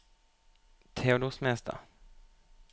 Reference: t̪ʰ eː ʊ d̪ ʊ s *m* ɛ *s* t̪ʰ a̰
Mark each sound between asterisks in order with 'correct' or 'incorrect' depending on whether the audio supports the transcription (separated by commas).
correct, correct